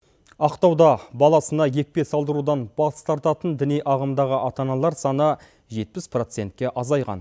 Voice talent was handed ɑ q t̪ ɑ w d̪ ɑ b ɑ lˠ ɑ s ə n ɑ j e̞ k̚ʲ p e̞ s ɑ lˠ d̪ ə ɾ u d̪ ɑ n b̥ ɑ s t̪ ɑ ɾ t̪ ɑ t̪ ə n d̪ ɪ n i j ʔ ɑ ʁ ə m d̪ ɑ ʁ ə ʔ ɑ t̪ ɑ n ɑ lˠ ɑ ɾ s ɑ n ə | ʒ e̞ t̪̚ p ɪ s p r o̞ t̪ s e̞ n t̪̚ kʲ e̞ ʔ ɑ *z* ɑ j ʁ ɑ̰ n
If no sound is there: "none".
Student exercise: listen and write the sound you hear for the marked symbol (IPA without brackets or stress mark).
z